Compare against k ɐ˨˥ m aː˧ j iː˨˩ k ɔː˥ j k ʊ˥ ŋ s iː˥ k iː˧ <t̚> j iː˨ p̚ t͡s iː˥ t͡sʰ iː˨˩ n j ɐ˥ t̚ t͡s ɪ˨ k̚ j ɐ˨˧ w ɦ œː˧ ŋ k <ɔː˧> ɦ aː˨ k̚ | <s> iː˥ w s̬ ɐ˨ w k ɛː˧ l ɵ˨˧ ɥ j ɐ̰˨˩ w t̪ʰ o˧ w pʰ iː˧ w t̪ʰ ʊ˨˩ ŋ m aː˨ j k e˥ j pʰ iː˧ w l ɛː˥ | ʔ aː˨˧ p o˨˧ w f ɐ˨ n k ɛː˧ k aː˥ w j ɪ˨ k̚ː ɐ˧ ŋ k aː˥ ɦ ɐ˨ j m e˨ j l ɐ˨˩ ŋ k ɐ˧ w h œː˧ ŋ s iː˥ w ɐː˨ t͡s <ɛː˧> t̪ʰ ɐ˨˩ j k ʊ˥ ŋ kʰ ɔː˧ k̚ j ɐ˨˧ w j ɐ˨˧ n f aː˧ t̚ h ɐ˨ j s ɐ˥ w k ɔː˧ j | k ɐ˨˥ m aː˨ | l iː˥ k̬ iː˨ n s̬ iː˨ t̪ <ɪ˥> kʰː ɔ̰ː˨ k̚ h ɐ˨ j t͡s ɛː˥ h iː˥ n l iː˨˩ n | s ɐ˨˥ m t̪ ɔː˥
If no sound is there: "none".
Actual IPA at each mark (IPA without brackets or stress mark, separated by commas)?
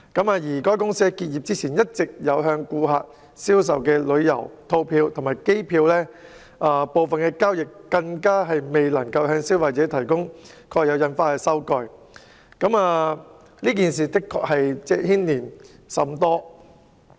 t̚, uː˧, s, ɛː˨˥, ɪ˥